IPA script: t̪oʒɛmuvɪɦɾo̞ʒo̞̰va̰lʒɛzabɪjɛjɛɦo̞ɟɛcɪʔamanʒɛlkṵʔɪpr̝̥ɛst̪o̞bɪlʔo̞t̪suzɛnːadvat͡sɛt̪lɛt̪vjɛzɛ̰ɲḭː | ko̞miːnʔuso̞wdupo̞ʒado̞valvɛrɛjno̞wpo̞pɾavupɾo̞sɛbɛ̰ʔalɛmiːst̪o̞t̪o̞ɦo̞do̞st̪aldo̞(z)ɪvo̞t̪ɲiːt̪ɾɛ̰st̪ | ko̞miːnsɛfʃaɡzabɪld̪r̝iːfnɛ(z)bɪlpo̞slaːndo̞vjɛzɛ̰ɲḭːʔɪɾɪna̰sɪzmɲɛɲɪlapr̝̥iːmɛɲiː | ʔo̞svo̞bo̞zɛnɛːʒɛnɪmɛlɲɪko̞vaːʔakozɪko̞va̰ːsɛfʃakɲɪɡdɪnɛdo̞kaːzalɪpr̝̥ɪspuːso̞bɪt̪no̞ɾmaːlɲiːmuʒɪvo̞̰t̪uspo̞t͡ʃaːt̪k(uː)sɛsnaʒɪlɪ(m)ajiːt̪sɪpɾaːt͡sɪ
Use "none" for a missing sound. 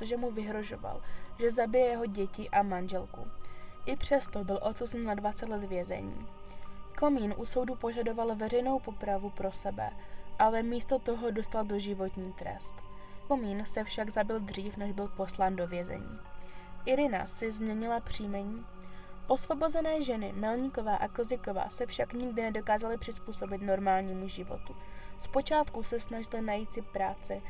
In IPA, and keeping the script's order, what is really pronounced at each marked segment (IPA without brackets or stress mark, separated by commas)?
ʒ, ʒ, u, n